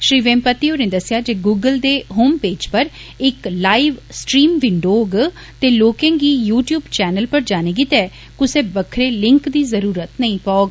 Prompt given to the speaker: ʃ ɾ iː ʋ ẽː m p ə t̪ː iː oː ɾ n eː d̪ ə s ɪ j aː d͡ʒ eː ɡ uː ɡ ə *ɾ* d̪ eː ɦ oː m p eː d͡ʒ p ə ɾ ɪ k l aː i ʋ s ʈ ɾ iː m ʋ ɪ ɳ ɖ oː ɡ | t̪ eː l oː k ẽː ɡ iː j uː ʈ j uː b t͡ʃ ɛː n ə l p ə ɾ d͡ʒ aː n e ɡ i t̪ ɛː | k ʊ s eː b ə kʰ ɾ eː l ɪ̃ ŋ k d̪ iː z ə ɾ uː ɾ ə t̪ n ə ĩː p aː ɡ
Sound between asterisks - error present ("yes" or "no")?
yes